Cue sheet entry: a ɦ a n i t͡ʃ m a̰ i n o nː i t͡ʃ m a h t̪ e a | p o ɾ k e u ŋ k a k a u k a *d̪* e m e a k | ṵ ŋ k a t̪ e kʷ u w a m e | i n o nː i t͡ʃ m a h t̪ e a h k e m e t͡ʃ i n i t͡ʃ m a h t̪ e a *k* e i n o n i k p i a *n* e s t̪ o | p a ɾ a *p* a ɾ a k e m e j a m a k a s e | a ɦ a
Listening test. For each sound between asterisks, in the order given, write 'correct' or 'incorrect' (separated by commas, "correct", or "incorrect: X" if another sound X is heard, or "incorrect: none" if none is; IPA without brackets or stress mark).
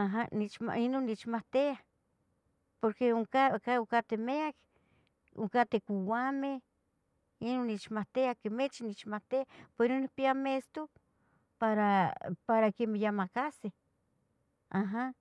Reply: incorrect: t̪, incorrect: p, incorrect: m, correct